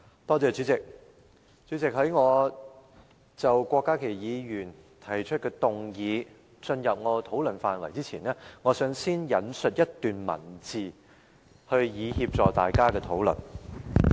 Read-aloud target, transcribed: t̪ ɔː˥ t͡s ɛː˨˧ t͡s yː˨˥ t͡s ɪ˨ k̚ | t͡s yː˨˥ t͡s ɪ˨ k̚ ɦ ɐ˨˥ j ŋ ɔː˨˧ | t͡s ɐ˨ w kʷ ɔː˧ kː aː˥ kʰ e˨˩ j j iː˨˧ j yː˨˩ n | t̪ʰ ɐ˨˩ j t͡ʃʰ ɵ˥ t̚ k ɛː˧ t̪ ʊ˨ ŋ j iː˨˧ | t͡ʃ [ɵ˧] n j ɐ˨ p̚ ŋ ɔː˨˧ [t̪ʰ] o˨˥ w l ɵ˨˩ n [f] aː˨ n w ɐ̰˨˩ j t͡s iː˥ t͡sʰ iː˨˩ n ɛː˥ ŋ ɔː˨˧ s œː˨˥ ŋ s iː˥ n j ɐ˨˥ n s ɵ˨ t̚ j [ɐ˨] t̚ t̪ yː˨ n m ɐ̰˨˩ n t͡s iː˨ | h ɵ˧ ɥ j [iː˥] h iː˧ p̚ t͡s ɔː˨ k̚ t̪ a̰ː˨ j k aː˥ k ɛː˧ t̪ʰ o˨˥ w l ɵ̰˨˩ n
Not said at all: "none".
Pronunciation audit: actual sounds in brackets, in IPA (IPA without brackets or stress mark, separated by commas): ɵ˧, t̪ʰ, f, ɐ˥, iː˨˧